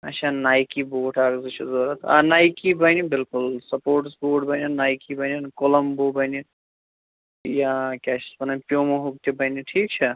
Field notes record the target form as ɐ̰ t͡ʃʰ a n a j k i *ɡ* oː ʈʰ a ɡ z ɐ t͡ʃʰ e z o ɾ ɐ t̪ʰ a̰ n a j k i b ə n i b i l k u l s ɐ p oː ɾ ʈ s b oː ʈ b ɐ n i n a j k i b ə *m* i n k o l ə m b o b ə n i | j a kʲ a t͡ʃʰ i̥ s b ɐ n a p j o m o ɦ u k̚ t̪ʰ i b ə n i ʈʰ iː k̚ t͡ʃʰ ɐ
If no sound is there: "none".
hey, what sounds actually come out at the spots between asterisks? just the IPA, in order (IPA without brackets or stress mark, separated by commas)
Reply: b, n